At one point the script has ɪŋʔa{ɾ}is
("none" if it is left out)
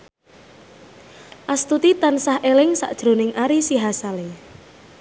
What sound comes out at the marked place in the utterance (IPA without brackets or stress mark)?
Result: ɾ